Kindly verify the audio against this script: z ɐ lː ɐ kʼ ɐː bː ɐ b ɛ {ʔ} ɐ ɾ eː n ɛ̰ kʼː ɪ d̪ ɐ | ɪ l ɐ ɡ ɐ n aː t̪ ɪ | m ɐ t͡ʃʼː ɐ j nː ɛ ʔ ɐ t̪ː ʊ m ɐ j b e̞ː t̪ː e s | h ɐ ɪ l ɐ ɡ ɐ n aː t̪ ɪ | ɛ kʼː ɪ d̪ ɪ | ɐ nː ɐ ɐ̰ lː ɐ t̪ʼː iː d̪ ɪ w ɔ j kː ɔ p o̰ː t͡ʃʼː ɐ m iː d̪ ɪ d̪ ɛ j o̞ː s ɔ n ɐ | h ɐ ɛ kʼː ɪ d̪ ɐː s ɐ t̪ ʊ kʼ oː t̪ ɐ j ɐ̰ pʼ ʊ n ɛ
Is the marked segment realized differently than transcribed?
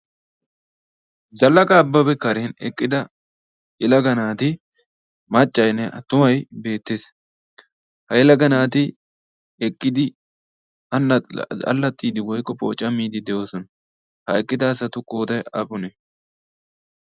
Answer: yes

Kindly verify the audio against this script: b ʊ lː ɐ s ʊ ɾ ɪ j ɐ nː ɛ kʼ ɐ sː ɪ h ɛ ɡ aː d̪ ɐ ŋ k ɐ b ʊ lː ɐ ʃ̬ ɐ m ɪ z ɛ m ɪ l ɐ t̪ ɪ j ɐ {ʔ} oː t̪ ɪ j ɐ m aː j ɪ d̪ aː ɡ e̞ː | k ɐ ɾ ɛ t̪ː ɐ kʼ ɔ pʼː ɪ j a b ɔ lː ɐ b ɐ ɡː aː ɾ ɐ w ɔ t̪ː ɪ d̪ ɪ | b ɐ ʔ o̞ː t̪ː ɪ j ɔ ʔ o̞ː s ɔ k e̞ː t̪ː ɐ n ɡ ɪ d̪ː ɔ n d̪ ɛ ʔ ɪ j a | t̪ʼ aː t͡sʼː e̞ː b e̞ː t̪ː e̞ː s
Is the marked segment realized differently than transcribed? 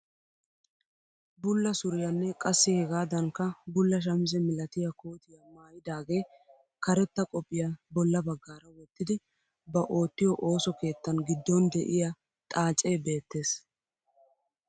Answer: yes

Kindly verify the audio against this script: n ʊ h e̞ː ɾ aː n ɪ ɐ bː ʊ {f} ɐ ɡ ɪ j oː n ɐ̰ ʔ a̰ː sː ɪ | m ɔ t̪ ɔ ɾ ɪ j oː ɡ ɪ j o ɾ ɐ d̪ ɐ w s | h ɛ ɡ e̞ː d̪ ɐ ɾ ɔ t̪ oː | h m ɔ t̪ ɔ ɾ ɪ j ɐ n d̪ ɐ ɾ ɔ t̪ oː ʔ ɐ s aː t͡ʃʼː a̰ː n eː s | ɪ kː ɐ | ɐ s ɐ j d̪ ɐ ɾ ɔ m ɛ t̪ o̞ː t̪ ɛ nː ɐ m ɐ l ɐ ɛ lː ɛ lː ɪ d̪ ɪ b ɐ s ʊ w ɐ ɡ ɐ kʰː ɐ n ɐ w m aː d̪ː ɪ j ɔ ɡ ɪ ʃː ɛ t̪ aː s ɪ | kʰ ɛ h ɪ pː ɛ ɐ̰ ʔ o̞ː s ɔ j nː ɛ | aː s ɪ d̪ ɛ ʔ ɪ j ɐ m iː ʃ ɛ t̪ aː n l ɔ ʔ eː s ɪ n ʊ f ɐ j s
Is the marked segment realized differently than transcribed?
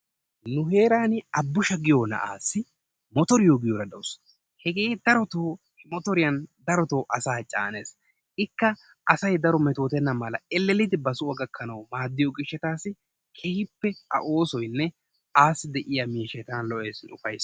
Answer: yes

